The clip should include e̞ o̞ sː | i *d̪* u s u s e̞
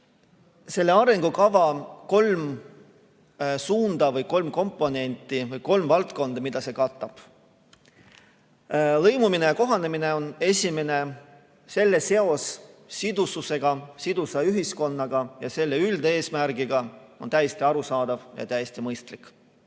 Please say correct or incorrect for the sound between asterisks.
correct